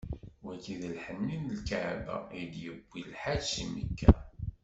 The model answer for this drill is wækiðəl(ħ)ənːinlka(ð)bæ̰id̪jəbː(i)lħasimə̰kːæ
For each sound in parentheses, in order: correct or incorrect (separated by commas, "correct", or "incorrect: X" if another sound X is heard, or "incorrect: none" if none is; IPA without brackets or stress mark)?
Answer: correct, incorrect: ʕ, correct